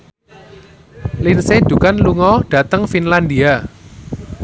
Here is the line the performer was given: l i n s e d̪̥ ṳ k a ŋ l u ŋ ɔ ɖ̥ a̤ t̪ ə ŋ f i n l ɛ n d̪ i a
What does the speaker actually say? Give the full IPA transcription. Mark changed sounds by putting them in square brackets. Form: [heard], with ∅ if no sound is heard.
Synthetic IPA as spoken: l i n s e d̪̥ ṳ k a [n] l u ŋ ɔ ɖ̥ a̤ t̪ ə ŋ f i n l [a] n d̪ i a

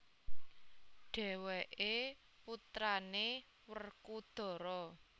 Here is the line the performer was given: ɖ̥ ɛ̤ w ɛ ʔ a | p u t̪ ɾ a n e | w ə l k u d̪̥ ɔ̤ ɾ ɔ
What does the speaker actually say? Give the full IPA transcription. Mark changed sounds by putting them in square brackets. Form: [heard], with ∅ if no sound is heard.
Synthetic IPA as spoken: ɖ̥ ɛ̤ w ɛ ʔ [e] | p u t̪ ɾ a n e | w ə [r] k u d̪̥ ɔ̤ ɾ ɔ

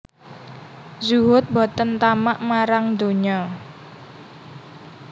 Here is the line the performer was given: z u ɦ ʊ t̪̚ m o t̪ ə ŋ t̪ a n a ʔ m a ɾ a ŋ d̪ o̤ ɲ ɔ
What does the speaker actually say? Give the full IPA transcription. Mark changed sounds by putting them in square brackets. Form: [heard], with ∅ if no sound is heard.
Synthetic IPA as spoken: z u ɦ ʊ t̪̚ [b] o t̪ ə [n] t̪ a [m] a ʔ m a ɾ a ŋ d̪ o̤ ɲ ɔ

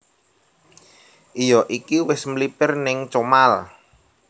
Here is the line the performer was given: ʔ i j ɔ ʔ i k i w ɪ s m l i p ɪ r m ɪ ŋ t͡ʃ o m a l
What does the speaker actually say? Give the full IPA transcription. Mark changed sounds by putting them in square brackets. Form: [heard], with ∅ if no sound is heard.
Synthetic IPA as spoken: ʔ i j ɔ ʔ i k i w ɪ s m l i p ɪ r [n] ɪ ŋ t͡ʃ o m a l

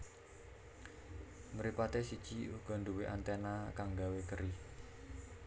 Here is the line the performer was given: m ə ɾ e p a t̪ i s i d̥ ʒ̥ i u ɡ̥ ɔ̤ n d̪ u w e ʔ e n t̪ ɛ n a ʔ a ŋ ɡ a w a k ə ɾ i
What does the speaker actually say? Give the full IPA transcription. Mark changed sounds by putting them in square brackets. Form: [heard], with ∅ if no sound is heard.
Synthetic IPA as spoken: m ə ɾ [i] p a t̪ [e] s i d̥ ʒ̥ i u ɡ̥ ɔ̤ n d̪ u w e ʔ [a] n t̪ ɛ n a [k] a ŋ ɡ a w [e] k ə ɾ i

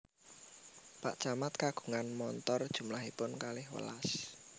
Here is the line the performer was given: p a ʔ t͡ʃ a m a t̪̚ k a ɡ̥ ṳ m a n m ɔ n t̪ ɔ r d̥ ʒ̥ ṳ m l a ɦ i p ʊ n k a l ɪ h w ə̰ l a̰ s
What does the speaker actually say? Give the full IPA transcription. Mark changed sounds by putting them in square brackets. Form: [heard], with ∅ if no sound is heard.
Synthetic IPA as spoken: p a ʔ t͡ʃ a m a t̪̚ k a ɡ̥ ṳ [ŋ] a n m ɔ n t̪ ɔ r d̥ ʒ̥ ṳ m l a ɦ i p ʊ n k a l ɪ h w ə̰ l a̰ s

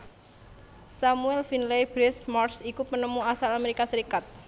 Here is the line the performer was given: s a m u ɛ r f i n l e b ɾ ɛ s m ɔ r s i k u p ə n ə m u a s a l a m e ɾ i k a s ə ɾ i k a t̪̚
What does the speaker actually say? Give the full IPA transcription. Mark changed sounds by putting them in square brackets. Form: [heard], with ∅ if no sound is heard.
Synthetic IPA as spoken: s a m u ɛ [l] f i n l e b ɾ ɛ s m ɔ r s i k u p ə n ə m u a s a l a m e ɾ i k a s ə ɾ i k a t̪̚

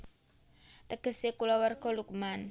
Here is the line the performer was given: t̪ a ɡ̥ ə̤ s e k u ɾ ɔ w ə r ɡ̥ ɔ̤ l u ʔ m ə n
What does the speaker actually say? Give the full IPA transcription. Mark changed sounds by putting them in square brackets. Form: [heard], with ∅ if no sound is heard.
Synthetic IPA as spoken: t̪ [ə] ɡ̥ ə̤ s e k u [l] ɔ w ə r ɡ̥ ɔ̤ l u [k] m [a] n

